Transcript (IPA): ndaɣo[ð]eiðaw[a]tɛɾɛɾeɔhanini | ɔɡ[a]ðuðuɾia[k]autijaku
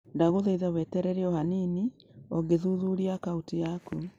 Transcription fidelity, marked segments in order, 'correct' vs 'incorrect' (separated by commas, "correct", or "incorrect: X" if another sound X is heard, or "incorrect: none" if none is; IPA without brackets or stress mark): correct, incorrect: ɛ, incorrect: e, correct